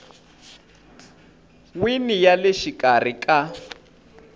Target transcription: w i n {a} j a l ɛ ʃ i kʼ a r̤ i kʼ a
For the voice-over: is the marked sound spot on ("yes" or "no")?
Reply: no